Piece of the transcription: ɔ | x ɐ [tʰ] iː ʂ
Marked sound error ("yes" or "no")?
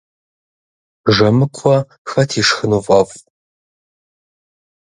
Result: no